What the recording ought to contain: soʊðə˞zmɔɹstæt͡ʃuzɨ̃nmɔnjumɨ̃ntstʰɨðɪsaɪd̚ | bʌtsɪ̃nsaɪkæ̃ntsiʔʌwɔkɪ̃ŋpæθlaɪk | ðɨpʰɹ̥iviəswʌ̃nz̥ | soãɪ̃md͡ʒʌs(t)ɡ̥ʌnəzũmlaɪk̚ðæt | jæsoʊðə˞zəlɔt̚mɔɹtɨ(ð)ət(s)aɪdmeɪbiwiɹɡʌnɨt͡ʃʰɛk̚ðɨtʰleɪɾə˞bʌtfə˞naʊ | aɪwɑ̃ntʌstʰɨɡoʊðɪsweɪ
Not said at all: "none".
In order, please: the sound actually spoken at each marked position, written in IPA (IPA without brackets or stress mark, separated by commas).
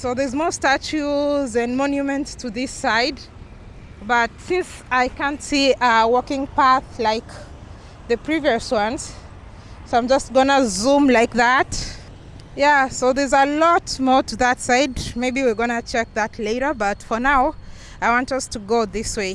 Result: t, ð, s